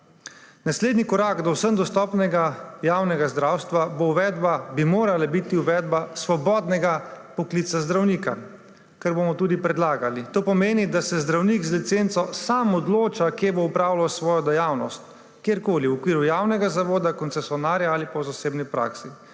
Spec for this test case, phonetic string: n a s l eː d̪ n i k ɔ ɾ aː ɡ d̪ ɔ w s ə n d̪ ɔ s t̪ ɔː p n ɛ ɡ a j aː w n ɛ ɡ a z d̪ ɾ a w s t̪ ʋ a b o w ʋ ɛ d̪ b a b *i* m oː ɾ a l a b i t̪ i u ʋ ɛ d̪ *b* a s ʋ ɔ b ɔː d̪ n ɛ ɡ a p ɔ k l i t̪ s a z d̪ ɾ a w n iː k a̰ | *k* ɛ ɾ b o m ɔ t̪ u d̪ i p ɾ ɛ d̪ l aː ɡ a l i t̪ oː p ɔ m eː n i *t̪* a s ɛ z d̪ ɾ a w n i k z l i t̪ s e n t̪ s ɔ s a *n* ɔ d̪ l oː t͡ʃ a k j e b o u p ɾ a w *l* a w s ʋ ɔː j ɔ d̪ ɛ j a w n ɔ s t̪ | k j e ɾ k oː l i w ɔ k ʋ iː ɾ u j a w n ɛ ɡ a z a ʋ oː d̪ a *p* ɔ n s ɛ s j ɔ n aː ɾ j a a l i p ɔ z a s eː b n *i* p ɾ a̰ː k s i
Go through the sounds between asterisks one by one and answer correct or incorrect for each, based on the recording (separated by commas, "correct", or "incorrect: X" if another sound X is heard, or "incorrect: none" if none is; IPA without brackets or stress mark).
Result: correct, correct, correct, incorrect: d̪, incorrect: m, correct, incorrect: k, correct